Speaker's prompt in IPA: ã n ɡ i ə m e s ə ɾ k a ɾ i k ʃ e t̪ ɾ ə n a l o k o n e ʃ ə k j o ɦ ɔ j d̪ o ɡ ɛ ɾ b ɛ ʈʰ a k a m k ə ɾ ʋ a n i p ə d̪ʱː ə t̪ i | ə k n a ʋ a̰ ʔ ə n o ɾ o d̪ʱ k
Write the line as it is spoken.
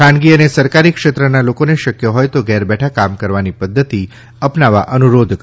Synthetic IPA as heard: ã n ɡ i ə n e s ə ɾ k a ɾ i k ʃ e t̪ ɾ ə n a l o k o n e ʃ ə k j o ɦ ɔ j t̪ o ɡ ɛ ɾ b ɛ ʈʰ a k a m k ə ɾ ʋ a n i p ə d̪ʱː ə t̪ i | ə p n a ʋ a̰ ʔ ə n u ɾ o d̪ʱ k